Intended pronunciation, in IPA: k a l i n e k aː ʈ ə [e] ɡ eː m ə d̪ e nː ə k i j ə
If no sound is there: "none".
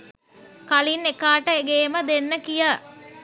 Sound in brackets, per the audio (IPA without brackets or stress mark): e